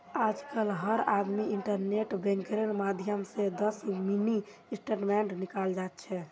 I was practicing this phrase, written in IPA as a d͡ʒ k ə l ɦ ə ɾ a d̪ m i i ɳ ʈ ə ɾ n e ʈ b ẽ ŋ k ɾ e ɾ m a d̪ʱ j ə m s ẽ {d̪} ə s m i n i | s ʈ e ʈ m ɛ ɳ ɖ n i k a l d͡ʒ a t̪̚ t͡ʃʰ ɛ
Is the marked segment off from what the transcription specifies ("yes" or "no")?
no